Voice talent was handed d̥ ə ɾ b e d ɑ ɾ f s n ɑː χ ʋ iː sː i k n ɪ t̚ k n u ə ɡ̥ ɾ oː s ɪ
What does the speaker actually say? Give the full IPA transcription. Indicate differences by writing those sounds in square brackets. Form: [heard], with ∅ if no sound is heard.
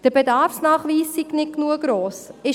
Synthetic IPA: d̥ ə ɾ b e d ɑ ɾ f s n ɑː χ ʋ iː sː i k n ɪ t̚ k n u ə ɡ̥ ɾ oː s ɪ